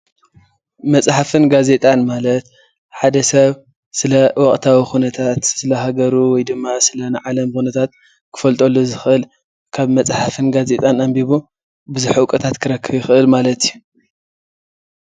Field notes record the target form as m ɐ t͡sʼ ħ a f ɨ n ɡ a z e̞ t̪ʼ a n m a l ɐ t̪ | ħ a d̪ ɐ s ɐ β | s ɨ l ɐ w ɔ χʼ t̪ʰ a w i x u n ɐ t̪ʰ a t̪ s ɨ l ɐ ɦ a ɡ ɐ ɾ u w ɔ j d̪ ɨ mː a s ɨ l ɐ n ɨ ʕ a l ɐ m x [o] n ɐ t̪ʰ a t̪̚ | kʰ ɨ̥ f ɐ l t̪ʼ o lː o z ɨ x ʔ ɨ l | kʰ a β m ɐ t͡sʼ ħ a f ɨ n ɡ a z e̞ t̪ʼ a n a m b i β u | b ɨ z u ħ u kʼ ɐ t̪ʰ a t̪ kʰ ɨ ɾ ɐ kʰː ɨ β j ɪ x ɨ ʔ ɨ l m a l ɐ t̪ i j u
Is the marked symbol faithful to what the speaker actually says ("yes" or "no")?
no